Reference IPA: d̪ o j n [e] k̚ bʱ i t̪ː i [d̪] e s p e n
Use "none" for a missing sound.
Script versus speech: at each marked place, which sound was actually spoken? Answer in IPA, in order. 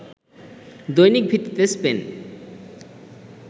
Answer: i, t̪

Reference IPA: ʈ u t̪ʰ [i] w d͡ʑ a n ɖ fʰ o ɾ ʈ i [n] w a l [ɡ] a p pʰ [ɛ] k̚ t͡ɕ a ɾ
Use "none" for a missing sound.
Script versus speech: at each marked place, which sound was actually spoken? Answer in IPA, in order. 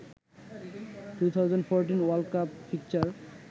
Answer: a, n, k, i

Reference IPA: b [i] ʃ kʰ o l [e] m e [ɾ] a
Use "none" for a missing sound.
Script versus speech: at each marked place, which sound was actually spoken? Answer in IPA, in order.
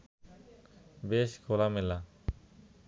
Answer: e, a, l

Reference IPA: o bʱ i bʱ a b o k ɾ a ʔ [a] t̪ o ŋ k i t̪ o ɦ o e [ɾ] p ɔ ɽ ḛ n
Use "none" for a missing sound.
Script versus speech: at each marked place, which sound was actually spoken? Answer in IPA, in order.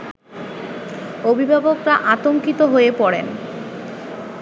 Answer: a, none

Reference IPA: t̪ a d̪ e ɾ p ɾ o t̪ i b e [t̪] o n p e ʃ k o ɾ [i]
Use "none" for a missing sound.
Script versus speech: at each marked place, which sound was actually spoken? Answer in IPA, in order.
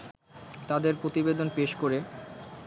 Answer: d̪, e

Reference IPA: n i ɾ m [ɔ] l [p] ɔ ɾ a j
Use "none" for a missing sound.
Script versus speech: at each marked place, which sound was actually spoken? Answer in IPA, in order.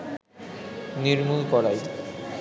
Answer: u, k

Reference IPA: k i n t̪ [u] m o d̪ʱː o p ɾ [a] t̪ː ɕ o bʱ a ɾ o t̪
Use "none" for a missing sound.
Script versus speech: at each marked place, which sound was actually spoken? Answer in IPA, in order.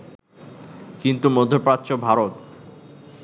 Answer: u, a

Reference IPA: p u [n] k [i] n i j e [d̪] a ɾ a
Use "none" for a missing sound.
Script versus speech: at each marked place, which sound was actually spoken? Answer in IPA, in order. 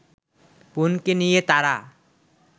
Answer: n, e, t̪

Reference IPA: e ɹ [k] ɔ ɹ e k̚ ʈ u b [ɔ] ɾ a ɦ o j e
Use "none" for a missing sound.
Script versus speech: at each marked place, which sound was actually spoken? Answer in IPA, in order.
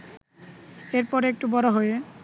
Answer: p, ɔ

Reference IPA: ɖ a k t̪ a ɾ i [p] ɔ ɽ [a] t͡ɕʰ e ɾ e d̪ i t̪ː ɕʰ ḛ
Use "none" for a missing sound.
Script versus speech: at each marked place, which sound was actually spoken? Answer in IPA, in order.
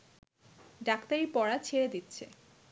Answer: p, a

